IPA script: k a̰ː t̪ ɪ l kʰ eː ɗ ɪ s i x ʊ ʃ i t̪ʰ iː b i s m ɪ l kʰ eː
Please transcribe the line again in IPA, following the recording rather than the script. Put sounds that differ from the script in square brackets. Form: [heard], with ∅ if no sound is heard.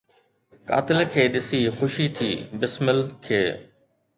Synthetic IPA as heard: k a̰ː t̪ ɪ l kʰ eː ɗ ɪ s i x ʊ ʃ i t̪ʰ iː b [ɪ] s m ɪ l kʰ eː